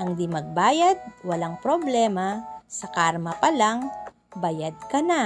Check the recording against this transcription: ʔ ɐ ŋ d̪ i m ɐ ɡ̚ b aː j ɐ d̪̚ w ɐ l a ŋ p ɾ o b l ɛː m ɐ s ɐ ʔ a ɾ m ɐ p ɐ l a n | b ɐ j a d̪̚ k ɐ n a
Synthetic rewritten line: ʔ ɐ ŋ d̪ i m ɐ ɡ̚ b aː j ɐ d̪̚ w ɐ l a ŋ p ɾ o b l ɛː m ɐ s ɐ k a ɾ m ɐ p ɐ l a ŋ | b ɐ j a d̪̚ k ɐ n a